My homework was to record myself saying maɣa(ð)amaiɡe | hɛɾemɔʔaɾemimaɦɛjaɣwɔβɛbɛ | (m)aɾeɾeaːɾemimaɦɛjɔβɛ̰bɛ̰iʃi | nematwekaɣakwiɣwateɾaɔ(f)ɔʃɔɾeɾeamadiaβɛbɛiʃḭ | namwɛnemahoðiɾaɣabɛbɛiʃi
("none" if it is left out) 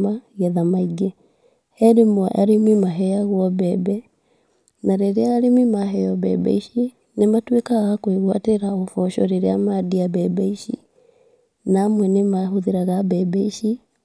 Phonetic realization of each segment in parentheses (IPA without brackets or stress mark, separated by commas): ð, n, f